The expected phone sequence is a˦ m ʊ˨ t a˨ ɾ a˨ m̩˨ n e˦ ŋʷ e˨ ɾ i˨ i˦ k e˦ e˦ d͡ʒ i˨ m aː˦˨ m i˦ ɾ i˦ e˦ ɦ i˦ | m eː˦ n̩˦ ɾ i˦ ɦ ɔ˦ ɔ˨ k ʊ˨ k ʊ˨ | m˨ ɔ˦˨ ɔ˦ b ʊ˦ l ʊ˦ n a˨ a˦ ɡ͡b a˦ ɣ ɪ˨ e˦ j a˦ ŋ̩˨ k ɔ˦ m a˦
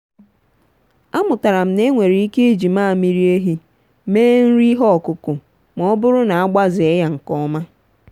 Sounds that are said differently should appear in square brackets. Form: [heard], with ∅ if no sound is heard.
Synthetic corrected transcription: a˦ m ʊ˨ t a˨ ɾ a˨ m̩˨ n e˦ ŋʷ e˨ ɾ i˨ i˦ k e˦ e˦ d͡ʒ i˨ m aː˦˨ m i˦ ɾ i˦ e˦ ɦ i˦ | m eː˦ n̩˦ ɾ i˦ ɦ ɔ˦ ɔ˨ k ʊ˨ k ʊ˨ | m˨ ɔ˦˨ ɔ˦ b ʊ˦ [ɾ] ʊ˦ n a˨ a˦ ɡ͡b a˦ [z] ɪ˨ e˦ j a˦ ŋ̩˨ k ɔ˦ m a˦